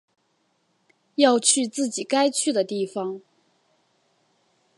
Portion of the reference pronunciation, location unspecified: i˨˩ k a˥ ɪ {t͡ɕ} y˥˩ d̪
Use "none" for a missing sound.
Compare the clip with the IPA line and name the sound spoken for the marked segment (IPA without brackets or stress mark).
t͡ɕʰ